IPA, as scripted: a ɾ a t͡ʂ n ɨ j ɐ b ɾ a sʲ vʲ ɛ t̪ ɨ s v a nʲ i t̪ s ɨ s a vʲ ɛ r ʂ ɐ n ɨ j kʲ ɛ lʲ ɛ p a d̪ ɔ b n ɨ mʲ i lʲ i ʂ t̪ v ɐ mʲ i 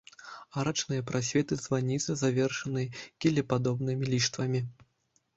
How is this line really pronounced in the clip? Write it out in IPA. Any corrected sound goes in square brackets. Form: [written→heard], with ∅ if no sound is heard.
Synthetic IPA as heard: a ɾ a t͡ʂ n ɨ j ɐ [b→p] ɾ a sʲ vʲ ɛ t̪ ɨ [s→z] v a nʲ i t̪ s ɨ [s→z] a vʲ ɛ r ʂ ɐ n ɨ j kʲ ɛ lʲ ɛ p a d̪ ɔ b n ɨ mʲ i lʲ i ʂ t̪ v ɐ mʲ i